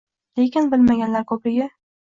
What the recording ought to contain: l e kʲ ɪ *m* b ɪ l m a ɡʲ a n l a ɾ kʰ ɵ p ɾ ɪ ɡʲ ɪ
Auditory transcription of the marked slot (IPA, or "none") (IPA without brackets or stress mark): n